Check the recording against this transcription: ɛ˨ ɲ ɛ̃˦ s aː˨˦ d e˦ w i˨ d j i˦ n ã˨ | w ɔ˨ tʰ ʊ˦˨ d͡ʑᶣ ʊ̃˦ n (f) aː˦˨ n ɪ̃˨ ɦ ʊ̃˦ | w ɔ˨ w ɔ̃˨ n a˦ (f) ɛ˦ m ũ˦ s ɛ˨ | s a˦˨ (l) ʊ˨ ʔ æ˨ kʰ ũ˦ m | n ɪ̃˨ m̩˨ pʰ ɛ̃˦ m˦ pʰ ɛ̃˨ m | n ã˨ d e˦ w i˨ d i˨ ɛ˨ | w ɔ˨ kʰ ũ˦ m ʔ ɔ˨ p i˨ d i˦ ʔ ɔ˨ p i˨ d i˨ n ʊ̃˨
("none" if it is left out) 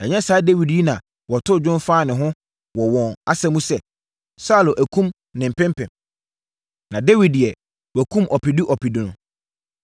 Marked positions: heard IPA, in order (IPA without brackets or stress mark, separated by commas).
f, s, l